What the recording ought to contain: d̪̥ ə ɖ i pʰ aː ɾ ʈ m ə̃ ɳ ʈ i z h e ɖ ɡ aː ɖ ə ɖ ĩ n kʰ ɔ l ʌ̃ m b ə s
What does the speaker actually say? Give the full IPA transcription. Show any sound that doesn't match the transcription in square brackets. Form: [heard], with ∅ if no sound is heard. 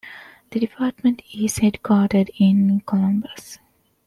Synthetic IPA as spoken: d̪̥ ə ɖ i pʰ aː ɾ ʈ m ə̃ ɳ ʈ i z h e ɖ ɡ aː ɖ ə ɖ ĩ n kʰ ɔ l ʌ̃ m b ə s

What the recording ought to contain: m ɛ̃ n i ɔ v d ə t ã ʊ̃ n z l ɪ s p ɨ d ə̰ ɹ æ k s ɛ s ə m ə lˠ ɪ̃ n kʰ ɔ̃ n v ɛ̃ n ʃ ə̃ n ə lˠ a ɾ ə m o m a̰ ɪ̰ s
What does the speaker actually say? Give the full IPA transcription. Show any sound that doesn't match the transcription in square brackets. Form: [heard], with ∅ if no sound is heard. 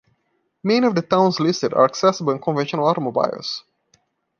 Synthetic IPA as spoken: m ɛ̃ n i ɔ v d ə t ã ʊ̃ n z l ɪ s [t] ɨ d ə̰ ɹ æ k s ɛ s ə [b] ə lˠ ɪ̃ n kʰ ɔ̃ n v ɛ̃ n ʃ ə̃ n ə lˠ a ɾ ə m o [b] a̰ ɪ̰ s

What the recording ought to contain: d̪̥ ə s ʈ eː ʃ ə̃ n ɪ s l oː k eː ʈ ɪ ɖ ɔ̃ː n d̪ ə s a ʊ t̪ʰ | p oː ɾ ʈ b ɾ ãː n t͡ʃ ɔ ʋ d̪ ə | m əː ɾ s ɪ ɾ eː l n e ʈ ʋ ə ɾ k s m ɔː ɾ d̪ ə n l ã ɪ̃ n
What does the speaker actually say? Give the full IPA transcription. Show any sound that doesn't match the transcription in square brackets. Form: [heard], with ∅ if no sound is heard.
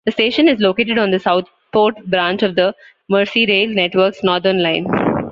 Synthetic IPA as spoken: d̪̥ ə s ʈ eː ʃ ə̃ n ɪ [z] l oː k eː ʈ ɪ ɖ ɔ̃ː n d̪ ə s a ʊ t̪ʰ | p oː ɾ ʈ b ɾ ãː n t͡ʃ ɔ ʋ d̪ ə | m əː ɾ s [i] ɾ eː l n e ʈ ʋ ə ɾ k s [n] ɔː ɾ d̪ ə n l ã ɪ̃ n

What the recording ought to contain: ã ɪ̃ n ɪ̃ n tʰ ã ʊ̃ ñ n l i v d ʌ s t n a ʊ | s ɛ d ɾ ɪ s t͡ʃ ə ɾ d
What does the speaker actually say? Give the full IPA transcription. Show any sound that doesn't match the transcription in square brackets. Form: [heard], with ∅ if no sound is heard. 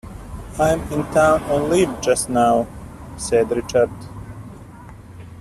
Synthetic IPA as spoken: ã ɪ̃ [m] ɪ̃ n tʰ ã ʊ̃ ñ n l i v [d͡ʒ] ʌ s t n a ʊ | s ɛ d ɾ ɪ [∅] t͡ʃ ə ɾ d

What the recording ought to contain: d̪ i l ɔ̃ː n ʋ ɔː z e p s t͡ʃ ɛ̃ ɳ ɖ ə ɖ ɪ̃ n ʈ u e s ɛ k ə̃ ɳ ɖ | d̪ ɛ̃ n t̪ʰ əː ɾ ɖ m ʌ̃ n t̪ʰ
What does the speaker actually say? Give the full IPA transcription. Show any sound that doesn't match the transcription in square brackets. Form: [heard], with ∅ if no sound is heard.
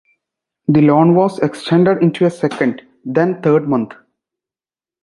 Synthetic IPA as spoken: d̪ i l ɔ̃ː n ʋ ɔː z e [k] s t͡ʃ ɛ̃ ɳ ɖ ə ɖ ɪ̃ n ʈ u e s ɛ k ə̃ ɳ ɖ | d̪ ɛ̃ n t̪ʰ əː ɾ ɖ m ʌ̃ n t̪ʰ

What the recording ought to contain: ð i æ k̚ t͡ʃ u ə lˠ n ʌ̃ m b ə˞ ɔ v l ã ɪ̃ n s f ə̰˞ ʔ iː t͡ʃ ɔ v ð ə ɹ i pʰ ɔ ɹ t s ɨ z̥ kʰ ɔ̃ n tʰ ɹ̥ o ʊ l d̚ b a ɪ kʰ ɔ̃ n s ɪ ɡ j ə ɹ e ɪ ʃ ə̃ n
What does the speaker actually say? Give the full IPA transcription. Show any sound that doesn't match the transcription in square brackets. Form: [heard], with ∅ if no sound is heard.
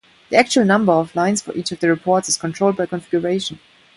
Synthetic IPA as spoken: ð i æ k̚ t͡ʃ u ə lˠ n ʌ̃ m b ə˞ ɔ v l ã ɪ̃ n s f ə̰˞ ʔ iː t͡ʃ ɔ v ð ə ɹ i pʰ ɔ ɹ t s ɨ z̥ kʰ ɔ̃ n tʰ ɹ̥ o ʊ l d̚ b a ɪ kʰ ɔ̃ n [f] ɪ ɡ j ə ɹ e ɪ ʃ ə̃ n

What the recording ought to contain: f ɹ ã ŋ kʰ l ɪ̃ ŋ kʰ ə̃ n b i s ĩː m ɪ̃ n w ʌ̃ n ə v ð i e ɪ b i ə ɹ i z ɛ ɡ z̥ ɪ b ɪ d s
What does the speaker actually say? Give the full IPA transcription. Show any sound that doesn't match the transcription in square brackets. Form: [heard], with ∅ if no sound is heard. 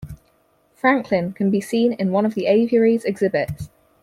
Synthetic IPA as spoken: f ɹ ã ŋ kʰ l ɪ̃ [n] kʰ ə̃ n b i s ĩː [n] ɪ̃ n w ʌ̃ n ə v ð i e ɪ [v] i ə ɹ i z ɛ ɡ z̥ ɪ b ɪ [t] s

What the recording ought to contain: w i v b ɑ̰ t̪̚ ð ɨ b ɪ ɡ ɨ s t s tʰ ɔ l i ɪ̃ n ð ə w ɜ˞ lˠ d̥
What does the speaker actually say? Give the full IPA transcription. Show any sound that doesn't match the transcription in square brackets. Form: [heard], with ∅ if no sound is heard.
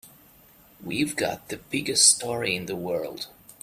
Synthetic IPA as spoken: w i v [ɡ] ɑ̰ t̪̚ ð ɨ b ɪ ɡ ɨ s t s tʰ ɔ [ɹ] i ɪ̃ n ð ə w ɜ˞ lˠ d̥

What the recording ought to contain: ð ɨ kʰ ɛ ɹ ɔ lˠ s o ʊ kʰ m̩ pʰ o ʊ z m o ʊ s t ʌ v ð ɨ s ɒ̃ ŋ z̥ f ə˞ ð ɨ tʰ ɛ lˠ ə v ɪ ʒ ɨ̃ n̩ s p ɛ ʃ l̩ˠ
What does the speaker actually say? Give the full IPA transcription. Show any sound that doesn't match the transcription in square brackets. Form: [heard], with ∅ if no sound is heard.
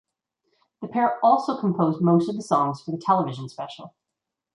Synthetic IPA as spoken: ð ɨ [pʰ] ɛ ɹ ɔ lˠ s o ʊ kʰ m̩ pʰ o ʊ z m o ʊ s t ʌ v ð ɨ s [ɔ̃] ŋ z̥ f ə˞ ð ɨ tʰ ɛ lˠ ə v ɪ ʒ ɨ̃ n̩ s p ɛ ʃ l̩ˠ

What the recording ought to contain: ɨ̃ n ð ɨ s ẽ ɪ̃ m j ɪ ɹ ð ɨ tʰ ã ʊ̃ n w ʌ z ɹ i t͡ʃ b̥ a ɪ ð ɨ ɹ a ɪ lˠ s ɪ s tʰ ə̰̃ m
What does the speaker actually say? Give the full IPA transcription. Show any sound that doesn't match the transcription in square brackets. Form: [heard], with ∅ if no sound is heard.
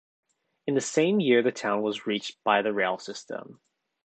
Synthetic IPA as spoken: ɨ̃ n ð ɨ s ẽ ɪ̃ m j ɪ ɹ ð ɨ tʰ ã ʊ̃ n w ʌ z ɹ i t͡ʃ b̥ a ɪ ð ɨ ɹ [e] ɪ lˠ s ɪ s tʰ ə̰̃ m

